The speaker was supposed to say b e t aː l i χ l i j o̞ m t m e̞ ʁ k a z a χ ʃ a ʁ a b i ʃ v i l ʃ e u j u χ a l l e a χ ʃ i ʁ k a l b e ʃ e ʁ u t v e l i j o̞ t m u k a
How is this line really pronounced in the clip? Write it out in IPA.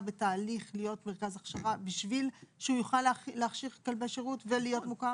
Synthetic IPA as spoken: b e t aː l i χ l i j o̞ t m e̞ ʁ k a z a χ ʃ a ʁ a b i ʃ v i l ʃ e u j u χ a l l e a χ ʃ i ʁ k a l b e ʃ e ʁ u t v e l i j o̞ t m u k a